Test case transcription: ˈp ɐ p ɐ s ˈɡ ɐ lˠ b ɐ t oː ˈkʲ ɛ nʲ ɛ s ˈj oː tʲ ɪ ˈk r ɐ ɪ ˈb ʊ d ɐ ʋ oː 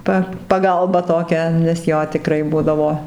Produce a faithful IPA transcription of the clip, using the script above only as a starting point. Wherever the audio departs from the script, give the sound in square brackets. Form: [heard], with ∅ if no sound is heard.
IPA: ˈp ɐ p ɐ [∅] ˈɡ ɐ lˠ b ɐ t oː ˈkʲ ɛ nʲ ɛ s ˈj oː tʲ ɪ ˈk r ɐ ɪ ˈb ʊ d ɐ ʋ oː